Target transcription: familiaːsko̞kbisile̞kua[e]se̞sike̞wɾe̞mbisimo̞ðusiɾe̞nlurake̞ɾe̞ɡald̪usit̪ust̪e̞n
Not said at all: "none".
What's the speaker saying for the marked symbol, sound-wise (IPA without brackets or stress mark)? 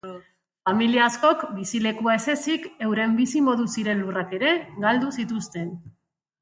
e